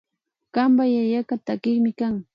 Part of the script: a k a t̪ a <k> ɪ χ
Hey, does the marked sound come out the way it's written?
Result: yes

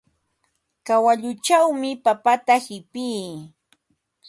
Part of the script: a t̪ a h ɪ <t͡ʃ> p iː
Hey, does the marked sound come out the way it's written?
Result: no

